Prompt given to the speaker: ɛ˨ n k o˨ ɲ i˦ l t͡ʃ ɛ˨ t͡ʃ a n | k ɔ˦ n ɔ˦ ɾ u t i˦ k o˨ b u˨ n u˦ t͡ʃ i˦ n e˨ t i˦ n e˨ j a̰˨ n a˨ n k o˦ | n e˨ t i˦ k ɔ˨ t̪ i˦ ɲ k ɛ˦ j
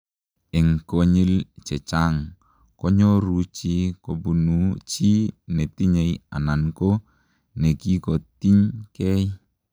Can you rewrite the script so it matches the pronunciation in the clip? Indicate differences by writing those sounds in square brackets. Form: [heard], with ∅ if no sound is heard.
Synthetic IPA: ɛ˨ [ŋ] k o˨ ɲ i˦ l t͡ʃ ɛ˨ t͡ʃ a [ŋ] | k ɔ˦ [ɲ] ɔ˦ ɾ u [t͡ʃ] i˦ k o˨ b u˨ n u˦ t͡ʃ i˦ n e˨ t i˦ [ɲ] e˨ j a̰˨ n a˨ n k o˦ | n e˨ [k] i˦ k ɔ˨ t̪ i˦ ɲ k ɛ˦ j